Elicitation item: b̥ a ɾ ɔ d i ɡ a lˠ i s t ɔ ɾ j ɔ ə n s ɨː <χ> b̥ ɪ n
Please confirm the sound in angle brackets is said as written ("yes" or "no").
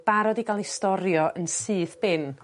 no